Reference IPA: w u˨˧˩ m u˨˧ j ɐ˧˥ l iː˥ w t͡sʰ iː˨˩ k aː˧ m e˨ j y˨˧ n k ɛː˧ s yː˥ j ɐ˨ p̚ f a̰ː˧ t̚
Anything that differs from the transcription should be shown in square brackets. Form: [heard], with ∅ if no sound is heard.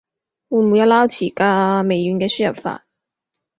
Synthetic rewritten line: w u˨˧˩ m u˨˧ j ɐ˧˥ l [aː˥] w t͡sʰ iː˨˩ k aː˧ m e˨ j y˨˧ n k ɛː˧ s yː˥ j ɐ˨ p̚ f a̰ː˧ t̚